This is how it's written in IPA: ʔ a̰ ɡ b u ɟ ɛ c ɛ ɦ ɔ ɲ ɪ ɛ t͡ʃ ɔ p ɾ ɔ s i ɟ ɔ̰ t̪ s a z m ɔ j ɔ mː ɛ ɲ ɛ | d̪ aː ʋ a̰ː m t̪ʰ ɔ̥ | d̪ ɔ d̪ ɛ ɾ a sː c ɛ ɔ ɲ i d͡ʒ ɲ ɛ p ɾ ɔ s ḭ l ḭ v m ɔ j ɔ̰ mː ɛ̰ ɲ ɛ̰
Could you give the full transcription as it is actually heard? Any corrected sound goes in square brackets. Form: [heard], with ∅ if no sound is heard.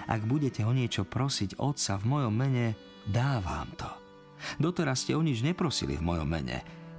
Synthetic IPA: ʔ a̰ ɡ b u ɟ ɛ c ɛ ɦ ɔ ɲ ɪ ɛ t͡ʃ ɔ p ɾ ɔ s i ɟ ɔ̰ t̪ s a [v] m ɔ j ɔ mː ɛ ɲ ɛ | d̪ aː ʋ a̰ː m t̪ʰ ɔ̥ | d̪ ɔ [t̪] ɛ ɾ a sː c ɛ ɔ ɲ i d͡ʒ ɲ ɛ p ɾ ɔ s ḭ l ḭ v m ɔ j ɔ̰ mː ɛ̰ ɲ ɛ̰